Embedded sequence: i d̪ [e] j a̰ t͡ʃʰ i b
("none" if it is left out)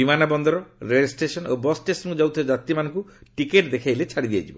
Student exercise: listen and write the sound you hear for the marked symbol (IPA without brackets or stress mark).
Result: i